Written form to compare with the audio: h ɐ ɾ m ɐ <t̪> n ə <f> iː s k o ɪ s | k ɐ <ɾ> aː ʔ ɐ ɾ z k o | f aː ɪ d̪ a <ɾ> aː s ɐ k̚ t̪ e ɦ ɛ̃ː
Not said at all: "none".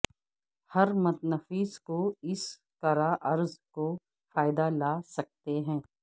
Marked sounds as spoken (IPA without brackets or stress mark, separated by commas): t̪, f, ɾ, l